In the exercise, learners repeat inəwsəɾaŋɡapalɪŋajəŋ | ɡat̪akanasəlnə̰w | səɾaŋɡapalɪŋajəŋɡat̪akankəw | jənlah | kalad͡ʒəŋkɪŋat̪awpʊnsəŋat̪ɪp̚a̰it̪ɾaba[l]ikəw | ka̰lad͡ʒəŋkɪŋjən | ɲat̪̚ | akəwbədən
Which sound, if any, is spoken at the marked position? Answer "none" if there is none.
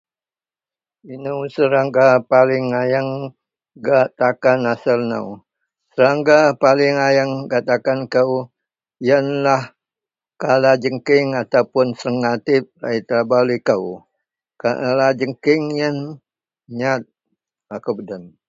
l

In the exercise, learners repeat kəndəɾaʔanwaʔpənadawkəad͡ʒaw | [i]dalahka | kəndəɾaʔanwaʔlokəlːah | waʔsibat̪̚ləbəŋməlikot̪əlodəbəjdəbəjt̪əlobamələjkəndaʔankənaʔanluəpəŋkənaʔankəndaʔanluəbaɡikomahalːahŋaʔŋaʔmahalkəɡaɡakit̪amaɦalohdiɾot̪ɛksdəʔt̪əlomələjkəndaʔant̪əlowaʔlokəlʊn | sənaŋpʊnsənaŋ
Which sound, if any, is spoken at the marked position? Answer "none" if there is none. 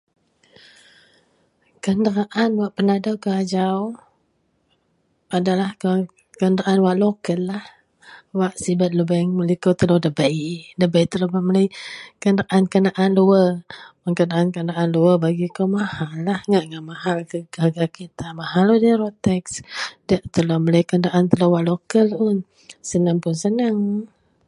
a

